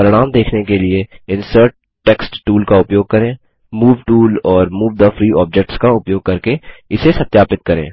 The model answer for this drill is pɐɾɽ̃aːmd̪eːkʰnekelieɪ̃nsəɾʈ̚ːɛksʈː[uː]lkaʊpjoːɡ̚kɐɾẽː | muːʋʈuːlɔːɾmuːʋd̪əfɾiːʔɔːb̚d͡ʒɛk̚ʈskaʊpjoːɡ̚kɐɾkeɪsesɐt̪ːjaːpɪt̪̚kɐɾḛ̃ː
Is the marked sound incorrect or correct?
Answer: correct